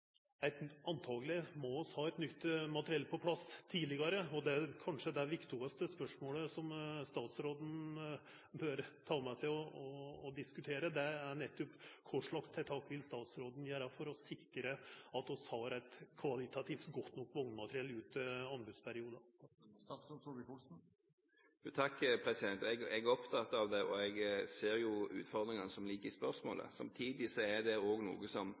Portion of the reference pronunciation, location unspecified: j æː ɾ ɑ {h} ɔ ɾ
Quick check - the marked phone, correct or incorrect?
incorrect: f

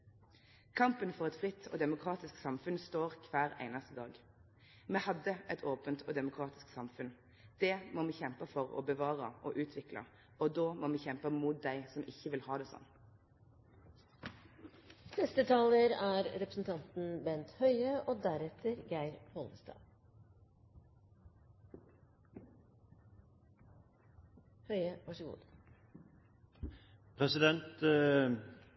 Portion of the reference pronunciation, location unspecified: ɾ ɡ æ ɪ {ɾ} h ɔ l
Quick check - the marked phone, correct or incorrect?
correct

